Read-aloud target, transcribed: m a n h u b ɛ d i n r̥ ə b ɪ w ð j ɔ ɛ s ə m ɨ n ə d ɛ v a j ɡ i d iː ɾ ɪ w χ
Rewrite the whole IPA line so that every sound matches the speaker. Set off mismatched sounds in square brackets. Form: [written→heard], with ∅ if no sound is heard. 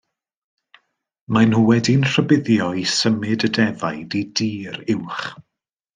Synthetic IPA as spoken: m a n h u [b→w] ɛ d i n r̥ ə b ɪ [w→∅] ð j ɔ [ɛ→i] s ə m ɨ [n→d] ə d ɛ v a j [ɡ→d] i d iː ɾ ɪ w χ